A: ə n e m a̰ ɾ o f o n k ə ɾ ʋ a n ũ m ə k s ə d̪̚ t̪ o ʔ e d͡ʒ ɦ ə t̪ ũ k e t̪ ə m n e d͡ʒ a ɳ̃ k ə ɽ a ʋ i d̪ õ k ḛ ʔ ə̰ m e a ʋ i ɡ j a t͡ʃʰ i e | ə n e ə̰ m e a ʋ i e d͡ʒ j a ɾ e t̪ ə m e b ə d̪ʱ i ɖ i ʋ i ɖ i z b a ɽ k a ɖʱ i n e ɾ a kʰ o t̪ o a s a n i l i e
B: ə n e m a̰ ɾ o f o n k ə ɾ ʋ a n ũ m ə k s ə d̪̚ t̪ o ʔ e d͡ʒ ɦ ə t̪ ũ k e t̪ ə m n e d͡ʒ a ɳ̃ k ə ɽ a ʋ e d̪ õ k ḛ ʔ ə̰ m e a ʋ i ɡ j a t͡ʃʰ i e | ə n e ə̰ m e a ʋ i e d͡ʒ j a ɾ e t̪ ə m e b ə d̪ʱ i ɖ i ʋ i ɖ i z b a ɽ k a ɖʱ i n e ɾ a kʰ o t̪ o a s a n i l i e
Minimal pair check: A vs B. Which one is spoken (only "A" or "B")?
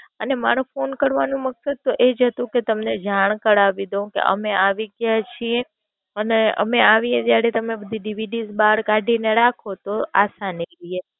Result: A